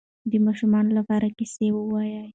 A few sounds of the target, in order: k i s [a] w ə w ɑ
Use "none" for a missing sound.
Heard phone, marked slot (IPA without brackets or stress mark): e